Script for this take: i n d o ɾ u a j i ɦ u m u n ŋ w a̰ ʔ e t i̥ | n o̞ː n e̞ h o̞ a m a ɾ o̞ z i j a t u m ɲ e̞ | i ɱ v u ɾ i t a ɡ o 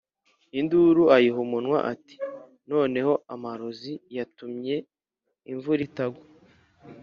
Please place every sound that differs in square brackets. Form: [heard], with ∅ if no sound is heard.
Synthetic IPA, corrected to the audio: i n d [u] ɾ u a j i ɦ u m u n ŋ w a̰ ʔ [a] t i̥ | n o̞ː n e̞ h o̞ a m a ɾ o̞ z i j a t u m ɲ e̞ | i ɱ v u ɾ i t a ɡ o